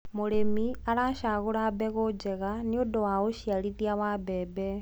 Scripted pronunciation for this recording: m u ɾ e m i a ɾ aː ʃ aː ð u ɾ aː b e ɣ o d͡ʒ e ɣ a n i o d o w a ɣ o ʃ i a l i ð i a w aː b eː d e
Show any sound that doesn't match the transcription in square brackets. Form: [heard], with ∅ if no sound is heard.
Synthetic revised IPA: m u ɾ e m i a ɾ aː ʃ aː [ɣ] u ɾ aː b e ɣ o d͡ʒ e ɣ a n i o d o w a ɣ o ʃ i a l i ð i a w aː b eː [b] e

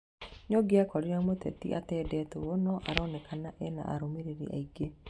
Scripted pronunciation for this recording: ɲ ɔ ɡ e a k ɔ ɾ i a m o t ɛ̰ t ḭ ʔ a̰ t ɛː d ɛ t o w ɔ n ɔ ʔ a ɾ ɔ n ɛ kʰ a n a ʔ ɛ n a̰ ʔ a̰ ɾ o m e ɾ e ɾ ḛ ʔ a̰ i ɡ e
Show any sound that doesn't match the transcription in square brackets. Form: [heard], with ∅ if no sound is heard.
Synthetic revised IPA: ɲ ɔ ɡ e a k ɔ ɾ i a m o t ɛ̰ t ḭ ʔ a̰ t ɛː d ɛ t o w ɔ n ɔ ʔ a ɾ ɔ n ɛ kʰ a n a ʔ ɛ n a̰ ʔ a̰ ɾ o m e ɾ e ɾ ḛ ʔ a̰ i ɡ e

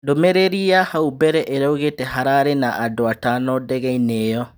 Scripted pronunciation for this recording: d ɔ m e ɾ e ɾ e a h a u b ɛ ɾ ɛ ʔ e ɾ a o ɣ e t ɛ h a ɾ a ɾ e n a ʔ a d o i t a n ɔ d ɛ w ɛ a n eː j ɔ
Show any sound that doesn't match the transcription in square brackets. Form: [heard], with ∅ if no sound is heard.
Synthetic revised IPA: d [o] m e ɾ e ɾ [i] a h a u b ɛ ɾ ɛ ʔ e ɾ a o ɣ e t ɛ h a ɾ a ɾ e n a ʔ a d o [a] t a n ɔ d ɛ [ɣ] ɛ [i] n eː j ɔ

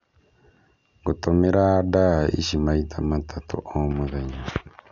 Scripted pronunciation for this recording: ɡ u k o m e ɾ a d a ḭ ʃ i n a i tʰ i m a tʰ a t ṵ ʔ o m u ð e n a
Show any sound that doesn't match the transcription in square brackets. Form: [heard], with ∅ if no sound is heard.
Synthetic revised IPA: ɡ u [t] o m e ɾ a d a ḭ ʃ i [m] a i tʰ [a] m a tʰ a t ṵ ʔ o m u ð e [ɲ] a

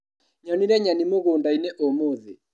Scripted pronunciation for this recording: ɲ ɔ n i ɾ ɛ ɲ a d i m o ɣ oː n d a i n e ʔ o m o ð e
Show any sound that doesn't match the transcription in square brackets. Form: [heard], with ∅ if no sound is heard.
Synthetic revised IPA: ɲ ɔ n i ɾ ɛ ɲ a [n] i m o ɣ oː n d a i n e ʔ o m o ð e

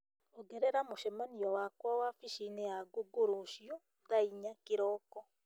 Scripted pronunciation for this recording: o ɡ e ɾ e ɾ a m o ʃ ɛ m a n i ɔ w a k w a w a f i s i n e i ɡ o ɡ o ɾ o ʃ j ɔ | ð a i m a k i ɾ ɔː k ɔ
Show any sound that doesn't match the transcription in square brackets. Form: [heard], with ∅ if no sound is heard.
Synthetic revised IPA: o ɡ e ɾ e ɾ a m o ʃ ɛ m a n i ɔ w a k w a w a f i [ʃ] i n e [a] ɡ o ɡ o ɾ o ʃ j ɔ | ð a i [ɲ] a k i ɾ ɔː k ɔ

